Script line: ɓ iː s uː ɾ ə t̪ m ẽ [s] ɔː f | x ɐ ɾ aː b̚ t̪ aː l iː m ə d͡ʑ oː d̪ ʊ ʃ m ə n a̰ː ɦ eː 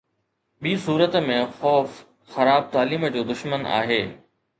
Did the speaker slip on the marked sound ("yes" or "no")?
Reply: yes